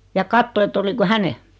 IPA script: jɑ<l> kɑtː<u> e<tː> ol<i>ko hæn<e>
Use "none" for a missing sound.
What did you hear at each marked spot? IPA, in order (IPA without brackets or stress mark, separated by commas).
none, o, tː, i, e